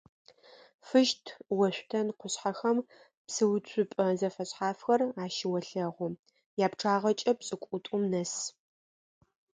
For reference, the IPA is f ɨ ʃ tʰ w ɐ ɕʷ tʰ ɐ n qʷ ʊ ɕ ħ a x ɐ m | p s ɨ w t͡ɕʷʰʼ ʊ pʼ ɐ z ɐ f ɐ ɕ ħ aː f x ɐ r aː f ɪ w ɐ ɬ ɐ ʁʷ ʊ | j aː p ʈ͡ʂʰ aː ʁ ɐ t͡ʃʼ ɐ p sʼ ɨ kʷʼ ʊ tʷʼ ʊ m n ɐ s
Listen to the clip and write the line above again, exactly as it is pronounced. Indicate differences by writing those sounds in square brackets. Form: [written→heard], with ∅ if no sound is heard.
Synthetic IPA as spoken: f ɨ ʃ tʰ w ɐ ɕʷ tʰ ɐ n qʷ ʊ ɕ ħ a x ɐ m | p s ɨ w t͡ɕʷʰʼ ʊ pʼ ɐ z ɐ f ɐ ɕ ħ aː f x ɐ r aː [f→ʃ] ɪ w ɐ ɬ ɐ ʁʷ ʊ | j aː p ʈ͡ʂʰ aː ʁ ɐ t͡ʃʼ ɐ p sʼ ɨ kʷʼ ʊ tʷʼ ʊ m n ɐ s